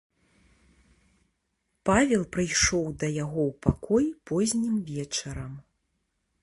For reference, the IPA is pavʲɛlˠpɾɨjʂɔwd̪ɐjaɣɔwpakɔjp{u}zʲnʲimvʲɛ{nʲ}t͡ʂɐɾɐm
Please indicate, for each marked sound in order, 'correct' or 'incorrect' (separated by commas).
incorrect, incorrect